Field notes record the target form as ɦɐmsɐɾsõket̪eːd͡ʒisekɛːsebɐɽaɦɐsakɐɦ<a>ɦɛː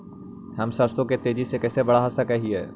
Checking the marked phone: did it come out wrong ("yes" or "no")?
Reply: yes